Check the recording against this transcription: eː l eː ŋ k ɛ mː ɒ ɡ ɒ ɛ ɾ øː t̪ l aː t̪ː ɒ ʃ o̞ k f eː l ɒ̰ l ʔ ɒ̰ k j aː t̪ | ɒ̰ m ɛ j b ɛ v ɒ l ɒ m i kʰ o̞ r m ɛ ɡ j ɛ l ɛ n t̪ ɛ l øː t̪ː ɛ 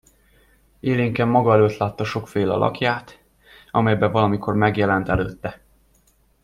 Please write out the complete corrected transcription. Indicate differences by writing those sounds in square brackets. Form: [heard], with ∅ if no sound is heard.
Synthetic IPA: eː l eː ŋ k ɛ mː ɒ ɡ ɒ ɛ [l] øː t̪ l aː t̪ː ɒ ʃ o̞ k f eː l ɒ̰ l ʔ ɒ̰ k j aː t̪ | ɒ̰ m ɛ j b ɛ v ɒ l ɒ m i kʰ o̞ r m ɛ ɡ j ɛ l ɛ n t̪ ɛ l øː t̪ː ɛ

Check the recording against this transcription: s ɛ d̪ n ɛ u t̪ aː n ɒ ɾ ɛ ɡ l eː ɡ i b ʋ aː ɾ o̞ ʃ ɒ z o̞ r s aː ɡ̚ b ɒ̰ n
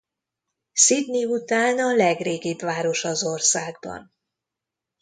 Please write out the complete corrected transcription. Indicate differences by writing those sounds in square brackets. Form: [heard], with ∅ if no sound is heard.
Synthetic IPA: s [i] d̪ n [i] u t̪ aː n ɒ [l] ɛ ɡ [r] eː ɡ i b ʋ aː ɾ o̞ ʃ ɒ z o̞ r s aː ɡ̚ b ɒ̰ n

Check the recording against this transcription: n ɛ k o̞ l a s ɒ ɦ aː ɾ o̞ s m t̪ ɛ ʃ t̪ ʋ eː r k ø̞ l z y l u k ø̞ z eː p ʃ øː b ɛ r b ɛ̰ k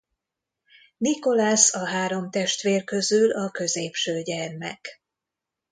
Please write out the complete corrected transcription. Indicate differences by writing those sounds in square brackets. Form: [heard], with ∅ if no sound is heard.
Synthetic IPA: n [i] k o̞ l a s ɒ ɦ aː ɾ o̞ [∅] m t̪ ɛ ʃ t̪ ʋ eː r k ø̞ [∅] z y l [ɒ] k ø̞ z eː p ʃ øː [ɟ] ɛ r [m] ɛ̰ k

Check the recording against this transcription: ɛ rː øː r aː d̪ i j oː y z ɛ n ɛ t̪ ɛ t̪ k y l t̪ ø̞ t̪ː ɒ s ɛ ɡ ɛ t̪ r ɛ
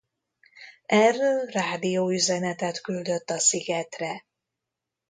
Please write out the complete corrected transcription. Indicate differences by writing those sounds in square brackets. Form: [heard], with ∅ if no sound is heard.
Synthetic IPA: ɛ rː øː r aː d̪ i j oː y z ɛ n ɛ t̪ ɛ t̪ k y l [d̪] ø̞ t̪ː ɒ s [i] ɡ ɛ t̪ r ɛ

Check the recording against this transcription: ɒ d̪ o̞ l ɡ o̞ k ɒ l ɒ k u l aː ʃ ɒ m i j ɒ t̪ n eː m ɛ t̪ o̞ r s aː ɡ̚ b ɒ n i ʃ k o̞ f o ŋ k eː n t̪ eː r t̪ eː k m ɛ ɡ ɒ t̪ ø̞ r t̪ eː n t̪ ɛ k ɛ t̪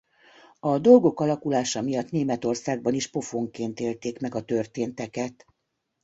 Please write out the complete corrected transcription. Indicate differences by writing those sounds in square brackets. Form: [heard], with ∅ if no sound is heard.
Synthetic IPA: ɒ d̪ o̞ l ɡ o̞ k ɒ l ɒ k u l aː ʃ ɒ m i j ɒ t̪ n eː m ɛ t̪ o̞ r s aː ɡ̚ b ɒ n i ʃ [p] o̞ f o ŋ k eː n t̪ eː [l] t̪ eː k m ɛ ɡ ɒ t̪ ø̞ r t̪ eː n t̪ ɛ k ɛ t̪

